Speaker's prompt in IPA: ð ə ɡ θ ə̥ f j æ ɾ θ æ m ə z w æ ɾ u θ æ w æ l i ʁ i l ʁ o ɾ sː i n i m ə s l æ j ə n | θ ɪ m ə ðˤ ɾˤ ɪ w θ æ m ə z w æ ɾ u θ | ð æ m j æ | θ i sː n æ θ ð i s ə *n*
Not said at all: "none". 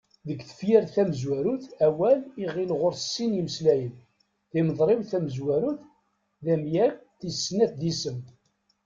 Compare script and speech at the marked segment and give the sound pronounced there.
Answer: m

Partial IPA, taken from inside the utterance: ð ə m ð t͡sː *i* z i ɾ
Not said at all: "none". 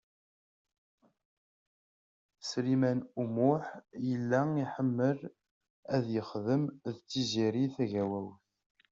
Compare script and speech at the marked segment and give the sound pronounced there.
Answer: i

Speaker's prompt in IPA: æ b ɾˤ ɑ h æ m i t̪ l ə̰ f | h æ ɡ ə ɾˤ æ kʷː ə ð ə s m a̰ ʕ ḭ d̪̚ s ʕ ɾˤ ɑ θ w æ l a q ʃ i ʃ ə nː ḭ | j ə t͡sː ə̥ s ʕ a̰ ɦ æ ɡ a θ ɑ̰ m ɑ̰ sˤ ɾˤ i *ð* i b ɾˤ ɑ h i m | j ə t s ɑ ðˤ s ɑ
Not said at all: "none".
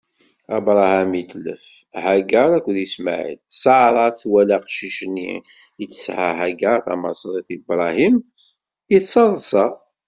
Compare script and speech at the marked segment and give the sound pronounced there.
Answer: θ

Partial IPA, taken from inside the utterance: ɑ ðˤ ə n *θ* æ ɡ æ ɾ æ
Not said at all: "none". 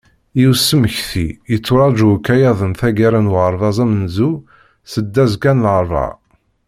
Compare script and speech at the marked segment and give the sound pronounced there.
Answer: θ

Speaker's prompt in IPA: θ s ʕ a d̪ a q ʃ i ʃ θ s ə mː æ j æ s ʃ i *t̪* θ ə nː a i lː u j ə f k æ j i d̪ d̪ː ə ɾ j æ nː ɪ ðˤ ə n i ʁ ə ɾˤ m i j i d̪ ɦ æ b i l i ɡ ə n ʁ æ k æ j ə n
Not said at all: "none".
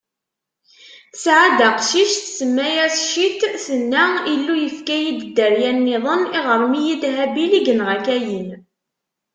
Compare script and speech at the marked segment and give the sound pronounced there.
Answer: t̪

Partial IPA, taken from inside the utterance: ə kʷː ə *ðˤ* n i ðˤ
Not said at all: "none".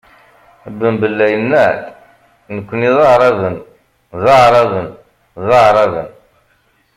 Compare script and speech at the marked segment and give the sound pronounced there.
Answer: none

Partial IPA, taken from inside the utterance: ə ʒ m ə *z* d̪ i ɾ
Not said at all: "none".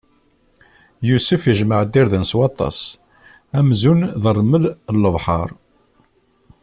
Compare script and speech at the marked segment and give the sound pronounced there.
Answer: ʕ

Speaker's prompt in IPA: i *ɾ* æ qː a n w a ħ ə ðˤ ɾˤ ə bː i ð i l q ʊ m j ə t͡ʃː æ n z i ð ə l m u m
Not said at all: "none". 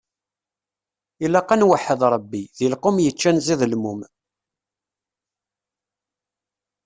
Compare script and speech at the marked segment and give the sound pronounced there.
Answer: l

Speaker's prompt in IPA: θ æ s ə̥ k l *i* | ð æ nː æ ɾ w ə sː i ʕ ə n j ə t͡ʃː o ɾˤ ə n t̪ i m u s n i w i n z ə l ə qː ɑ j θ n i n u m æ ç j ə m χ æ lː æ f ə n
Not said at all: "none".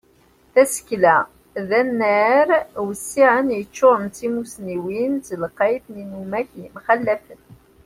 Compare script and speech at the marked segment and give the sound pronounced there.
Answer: æ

